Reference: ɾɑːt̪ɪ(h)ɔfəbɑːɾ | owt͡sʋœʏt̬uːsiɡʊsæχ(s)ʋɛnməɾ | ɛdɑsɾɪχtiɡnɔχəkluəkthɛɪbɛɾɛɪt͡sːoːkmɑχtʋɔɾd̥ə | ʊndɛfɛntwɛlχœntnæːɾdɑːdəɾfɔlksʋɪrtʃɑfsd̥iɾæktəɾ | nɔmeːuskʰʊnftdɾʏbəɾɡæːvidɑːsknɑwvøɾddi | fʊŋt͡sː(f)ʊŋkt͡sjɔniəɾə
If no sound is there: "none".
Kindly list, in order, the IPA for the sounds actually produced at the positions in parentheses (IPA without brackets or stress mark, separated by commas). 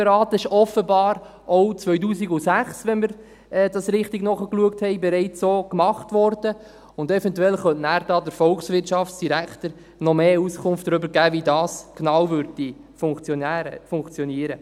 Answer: ʃ, s, f